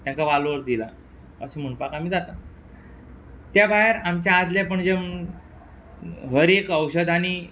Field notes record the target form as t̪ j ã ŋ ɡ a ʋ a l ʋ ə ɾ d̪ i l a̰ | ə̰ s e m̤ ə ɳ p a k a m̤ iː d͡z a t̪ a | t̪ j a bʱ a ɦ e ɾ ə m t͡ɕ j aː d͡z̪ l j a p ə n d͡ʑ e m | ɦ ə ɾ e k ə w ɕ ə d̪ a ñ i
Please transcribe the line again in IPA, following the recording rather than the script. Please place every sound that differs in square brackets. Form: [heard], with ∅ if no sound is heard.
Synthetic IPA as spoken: t̪ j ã ŋ [k] a ʋ a l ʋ ə ɾ d̪ i l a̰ | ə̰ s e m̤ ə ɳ p a k a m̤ iː d͡z a t̪ a | t̪ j a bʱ a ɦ e ɾ [a] m t͡ɕ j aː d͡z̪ l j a p ə [ɳ] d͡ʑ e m | ɦ ə ɾ e k ə w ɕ ə d̪ a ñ i